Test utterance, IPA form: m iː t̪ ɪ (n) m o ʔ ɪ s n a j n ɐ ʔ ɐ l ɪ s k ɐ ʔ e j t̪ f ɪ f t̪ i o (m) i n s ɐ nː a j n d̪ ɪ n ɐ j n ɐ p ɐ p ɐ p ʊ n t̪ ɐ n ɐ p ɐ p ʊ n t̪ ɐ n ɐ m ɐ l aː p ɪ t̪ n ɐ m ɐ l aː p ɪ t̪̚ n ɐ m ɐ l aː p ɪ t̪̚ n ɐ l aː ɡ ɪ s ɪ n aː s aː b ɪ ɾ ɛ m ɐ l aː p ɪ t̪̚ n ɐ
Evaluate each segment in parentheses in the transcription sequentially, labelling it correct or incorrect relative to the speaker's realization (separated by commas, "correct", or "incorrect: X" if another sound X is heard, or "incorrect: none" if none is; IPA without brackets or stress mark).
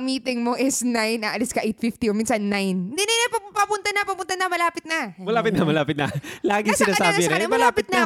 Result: incorrect: ŋ, correct